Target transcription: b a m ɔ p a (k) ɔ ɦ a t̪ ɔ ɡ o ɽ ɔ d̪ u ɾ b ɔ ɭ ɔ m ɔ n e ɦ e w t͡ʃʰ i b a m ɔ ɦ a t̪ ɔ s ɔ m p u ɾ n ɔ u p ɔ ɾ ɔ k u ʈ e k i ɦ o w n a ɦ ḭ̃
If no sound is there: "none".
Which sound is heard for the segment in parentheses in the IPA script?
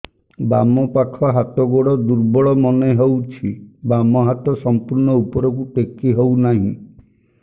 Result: kʰ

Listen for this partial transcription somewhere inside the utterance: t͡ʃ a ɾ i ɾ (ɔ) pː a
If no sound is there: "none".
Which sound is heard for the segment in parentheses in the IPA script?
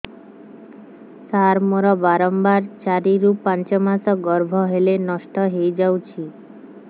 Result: u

